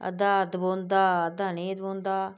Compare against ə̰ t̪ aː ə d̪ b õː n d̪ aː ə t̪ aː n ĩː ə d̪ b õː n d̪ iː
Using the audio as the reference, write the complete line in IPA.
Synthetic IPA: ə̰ d̪ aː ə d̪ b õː n d̪ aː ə d̪ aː n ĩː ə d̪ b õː n d̪ aː